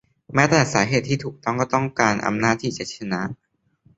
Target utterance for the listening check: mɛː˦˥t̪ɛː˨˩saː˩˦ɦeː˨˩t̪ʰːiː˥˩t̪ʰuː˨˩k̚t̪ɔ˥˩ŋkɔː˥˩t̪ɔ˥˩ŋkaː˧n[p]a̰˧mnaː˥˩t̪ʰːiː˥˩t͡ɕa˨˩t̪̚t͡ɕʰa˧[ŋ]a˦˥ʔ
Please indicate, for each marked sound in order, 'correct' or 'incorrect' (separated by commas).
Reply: incorrect, incorrect